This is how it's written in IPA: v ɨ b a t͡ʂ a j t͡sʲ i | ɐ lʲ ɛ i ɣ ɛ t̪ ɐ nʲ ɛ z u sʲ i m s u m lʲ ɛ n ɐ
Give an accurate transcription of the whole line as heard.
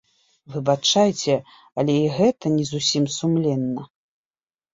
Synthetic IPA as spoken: v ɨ b a t͡ʂ a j t͡sʲ ɛ | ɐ lʲ ɛ i ɣ ɛ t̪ ɐ nʲ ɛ z u sʲ i m s u m lʲ ɛ nː ɐ